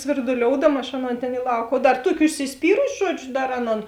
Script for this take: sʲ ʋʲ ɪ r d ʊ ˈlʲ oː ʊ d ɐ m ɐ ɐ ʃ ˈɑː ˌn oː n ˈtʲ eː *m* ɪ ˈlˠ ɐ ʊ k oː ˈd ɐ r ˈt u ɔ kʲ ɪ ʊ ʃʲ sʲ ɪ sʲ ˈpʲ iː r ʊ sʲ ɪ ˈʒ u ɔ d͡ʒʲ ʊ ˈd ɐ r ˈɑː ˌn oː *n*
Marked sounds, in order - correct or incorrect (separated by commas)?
incorrect, correct